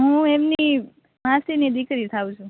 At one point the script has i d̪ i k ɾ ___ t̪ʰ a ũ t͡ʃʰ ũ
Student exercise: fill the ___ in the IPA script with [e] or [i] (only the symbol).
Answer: i